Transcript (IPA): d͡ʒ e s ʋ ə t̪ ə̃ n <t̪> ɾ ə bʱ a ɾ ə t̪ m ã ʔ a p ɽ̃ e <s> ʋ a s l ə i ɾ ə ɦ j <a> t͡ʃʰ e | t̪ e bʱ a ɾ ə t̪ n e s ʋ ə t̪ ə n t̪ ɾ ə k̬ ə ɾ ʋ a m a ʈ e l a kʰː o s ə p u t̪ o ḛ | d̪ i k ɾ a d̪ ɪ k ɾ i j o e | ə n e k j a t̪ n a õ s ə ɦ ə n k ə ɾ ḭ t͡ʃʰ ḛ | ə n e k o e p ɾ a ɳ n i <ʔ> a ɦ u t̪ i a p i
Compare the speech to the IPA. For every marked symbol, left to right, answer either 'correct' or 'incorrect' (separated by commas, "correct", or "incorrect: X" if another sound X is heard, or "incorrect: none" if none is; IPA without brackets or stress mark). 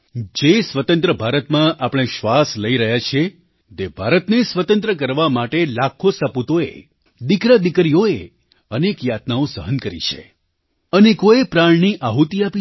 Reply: correct, incorrect: ʃ, correct, correct